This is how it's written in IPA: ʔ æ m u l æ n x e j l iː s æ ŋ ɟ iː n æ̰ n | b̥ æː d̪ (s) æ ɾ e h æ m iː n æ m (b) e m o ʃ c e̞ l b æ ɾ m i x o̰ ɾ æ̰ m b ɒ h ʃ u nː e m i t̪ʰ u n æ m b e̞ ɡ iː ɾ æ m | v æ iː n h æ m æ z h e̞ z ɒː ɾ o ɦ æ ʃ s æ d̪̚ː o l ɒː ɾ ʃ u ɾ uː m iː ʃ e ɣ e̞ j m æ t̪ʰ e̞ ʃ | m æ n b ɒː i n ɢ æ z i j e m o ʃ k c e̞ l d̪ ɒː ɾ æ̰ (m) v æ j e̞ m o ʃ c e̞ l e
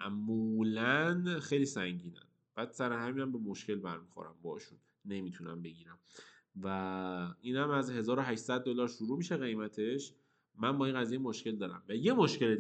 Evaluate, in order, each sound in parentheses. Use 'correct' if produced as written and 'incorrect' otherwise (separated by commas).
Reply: correct, correct, correct